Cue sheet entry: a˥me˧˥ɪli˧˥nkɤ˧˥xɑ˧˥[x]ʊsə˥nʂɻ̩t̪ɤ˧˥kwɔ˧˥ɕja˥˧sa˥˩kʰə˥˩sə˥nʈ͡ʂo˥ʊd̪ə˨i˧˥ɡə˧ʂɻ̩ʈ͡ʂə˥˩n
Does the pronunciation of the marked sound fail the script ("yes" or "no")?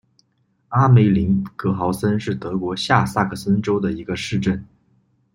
yes